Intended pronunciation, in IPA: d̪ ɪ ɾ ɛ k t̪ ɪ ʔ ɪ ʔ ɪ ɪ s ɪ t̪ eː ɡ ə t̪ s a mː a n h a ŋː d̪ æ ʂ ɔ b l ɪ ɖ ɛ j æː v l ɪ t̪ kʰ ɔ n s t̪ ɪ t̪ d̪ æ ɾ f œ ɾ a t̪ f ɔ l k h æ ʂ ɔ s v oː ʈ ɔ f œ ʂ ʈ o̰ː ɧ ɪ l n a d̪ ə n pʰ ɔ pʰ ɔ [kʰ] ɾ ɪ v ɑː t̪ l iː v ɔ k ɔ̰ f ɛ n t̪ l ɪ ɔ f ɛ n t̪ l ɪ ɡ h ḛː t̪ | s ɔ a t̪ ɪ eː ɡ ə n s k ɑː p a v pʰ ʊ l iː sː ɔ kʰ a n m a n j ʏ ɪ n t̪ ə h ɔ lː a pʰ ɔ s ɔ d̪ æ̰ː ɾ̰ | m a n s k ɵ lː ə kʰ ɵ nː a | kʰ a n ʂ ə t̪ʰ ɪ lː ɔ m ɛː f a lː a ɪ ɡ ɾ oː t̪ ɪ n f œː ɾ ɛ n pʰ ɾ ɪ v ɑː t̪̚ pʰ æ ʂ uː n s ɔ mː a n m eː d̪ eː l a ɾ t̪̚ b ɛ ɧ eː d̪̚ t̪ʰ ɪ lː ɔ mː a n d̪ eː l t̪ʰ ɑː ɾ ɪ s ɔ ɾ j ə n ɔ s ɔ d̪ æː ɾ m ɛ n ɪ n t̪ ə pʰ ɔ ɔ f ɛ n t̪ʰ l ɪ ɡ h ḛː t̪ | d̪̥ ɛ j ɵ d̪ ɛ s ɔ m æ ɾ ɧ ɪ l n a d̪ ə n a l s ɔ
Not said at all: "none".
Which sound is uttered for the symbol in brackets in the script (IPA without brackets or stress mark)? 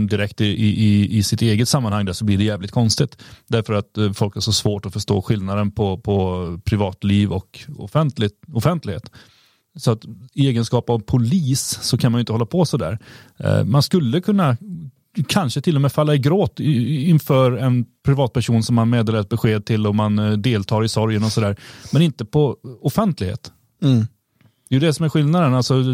pʰ